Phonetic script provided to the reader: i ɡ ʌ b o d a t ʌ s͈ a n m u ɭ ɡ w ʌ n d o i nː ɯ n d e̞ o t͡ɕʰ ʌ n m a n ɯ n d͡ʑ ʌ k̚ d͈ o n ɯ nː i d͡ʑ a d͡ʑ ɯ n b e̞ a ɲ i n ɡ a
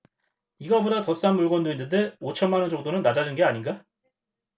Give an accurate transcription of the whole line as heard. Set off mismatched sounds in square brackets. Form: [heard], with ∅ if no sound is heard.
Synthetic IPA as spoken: i ɡ ʌ b o d a t ʌ s͈ a n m u ɭ ɡ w ʌ n d o i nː ɯ n d e̞ o t͡ɕʰ ʌ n m a n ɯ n d͡ʑ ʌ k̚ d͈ o n ɯ nː [a] d͡ʑ a d͡ʑ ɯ n [ɡ] e̞ a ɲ i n ɡ a